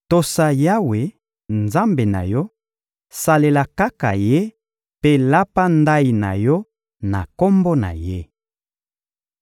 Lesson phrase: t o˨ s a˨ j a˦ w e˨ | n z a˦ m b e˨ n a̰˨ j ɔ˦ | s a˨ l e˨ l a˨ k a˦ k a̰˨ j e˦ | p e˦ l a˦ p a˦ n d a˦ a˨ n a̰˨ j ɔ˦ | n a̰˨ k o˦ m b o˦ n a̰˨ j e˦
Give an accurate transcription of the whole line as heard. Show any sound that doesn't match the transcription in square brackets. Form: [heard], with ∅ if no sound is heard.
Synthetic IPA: t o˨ s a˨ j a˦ w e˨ | n z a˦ m b e˨ n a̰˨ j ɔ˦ | s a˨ l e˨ l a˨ k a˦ k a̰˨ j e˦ | p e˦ l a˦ p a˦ n d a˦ [i˨] n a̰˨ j ɔ˦ | n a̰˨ k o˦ m b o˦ n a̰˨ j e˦